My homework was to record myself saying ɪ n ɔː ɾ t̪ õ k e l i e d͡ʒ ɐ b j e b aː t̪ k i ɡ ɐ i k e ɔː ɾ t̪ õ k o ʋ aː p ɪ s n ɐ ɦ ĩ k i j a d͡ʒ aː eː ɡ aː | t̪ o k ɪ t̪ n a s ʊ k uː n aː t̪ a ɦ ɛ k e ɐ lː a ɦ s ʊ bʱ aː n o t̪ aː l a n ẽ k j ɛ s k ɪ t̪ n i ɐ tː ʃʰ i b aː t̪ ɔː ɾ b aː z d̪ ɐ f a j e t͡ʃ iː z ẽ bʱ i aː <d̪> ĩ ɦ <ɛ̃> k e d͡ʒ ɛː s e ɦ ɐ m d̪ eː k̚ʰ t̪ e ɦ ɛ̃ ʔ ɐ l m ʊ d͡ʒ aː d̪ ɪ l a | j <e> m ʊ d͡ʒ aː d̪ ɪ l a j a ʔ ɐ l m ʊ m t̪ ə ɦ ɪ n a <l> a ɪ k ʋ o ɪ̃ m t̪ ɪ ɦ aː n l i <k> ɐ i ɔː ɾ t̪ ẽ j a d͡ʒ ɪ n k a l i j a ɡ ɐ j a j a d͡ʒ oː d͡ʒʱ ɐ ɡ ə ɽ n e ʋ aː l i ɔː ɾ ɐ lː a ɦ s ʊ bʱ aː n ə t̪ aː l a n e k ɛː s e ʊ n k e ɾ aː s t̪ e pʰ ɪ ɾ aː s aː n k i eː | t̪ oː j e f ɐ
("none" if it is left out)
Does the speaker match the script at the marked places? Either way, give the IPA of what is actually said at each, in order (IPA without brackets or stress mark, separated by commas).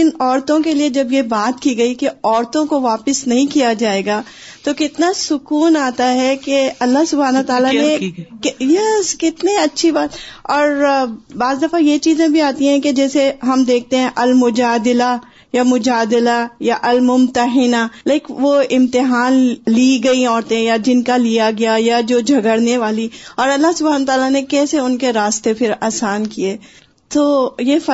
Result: t̪, ɛ̃, a, l, ɡ